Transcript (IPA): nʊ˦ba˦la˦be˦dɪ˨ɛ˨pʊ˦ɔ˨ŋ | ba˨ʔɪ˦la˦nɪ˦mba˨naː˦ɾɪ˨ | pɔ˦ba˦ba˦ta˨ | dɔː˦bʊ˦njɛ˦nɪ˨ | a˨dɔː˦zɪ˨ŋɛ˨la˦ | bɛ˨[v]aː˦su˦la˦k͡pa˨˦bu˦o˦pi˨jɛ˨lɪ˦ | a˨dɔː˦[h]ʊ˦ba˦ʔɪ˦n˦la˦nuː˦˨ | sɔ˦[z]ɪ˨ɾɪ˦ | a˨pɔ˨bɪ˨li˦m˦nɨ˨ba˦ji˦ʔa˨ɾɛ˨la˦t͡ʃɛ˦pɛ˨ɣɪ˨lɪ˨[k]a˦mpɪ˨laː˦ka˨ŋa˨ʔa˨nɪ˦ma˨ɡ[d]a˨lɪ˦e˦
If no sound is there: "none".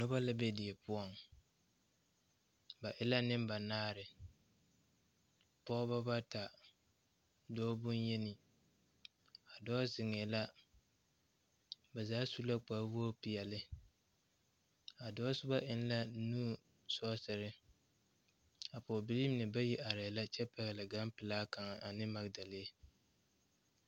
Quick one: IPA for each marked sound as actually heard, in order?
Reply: z, s, s, ɡ, d

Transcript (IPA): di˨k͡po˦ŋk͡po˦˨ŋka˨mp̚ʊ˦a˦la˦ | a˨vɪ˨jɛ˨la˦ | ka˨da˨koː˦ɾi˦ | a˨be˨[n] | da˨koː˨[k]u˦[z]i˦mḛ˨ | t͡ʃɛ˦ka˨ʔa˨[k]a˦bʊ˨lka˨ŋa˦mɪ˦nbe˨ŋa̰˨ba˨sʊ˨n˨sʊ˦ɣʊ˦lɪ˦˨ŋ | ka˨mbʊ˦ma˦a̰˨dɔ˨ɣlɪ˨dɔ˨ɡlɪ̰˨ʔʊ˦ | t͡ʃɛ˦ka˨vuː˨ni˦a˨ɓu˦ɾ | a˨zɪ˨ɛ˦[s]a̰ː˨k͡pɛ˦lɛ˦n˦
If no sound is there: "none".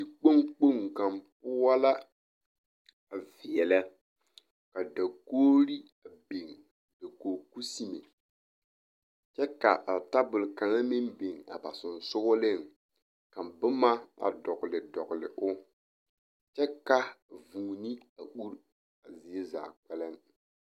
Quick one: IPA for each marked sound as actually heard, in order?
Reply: ŋ, k, s, t, z

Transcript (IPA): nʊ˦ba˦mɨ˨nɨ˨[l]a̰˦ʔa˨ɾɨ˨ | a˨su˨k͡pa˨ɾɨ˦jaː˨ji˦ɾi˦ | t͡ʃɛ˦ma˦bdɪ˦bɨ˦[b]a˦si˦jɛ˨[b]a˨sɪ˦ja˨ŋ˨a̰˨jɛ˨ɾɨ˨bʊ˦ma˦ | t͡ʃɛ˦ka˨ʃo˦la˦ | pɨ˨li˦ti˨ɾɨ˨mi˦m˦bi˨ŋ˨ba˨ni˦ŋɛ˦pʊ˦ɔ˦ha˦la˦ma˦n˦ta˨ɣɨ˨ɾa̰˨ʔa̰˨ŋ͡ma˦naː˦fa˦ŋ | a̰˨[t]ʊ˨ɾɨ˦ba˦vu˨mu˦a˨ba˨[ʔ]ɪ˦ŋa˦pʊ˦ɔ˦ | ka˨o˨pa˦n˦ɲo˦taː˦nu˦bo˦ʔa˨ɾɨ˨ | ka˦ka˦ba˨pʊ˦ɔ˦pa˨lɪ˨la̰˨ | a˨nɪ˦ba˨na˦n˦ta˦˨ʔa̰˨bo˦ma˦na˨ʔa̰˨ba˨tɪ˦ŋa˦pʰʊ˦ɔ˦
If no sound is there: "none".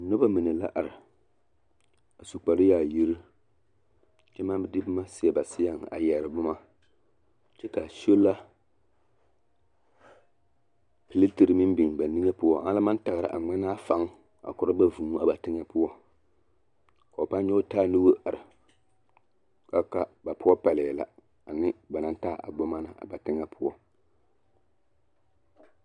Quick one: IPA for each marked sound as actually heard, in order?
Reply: l, m, b, k, t

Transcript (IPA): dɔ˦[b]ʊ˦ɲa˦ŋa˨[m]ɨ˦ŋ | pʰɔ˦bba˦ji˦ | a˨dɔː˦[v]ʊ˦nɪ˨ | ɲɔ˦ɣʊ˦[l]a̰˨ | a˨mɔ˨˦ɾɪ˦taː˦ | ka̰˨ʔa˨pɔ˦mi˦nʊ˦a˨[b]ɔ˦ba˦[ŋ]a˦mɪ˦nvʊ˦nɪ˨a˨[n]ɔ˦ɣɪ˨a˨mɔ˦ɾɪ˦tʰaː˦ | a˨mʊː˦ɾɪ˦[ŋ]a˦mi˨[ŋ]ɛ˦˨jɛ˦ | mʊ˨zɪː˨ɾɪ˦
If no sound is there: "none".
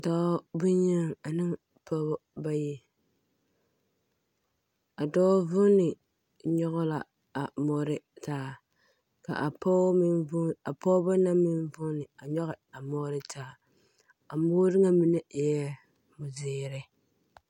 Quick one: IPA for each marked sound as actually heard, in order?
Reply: b, n, v, l, p, n, ɲ, ŋ, n

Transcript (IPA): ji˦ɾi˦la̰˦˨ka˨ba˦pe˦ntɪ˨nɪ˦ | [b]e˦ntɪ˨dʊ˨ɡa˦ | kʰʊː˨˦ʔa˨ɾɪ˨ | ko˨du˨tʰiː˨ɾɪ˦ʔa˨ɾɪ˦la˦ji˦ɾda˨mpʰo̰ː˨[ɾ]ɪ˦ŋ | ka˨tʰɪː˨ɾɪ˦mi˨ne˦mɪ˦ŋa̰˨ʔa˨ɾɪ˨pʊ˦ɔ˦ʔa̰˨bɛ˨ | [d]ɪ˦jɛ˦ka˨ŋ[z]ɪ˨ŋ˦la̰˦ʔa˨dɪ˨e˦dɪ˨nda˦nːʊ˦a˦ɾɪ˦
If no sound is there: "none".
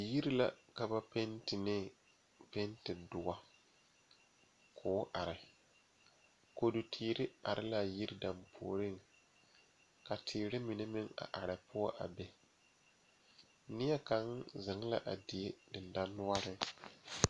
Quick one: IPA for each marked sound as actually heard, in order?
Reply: p, ɾ, n, z

